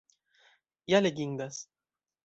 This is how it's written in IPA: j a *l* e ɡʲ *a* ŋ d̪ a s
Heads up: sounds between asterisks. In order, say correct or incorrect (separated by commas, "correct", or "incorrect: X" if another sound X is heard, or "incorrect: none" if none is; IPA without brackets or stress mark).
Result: correct, incorrect: i